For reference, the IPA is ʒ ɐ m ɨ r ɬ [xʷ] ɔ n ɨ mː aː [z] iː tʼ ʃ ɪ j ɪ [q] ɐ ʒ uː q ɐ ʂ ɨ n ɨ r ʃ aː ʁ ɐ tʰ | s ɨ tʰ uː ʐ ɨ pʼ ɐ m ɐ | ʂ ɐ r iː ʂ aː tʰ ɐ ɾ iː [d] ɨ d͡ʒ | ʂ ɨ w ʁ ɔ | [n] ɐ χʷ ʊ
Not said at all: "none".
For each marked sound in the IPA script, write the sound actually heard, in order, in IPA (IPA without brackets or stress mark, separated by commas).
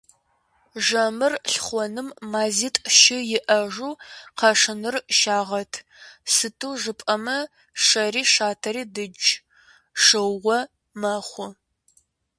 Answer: χʷ, z, ʔ, d, m